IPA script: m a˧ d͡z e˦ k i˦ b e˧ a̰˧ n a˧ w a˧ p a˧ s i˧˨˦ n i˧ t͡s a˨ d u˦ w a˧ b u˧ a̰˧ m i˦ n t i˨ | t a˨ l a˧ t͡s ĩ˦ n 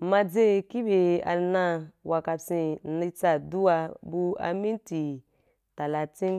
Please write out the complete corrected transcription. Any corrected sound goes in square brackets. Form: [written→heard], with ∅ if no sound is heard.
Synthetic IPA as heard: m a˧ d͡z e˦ k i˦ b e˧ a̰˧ n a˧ w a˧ [p→k] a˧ s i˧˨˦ n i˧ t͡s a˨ d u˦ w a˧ b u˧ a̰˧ m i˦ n t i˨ | t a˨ l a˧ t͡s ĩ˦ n